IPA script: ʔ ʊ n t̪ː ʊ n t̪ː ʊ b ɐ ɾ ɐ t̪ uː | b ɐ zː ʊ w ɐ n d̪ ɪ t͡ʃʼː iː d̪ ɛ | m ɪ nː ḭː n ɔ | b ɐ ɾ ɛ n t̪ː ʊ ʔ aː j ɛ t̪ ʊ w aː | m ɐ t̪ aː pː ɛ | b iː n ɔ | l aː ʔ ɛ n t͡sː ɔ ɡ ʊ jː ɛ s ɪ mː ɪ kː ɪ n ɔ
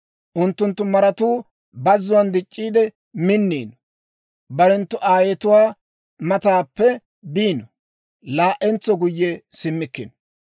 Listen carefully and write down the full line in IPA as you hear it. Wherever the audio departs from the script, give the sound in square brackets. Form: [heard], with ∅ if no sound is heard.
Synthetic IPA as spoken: ʔ ʊ n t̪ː ʊ n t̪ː ʊ [m] ɐ ɾ ɐ t̪ uː | b ɐ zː ʊ w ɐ n d̪ ɪ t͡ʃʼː iː d̪ ɛ | m ɪ nː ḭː n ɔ | b ɐ ɾ ɛ n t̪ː ʊ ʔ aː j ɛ t̪ ʊ w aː | m ɐ t̪ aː pː ɛ | b iː n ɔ | l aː ʔ ɛ n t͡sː ɔ ɡ ʊ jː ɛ s ɪ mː ɪ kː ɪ n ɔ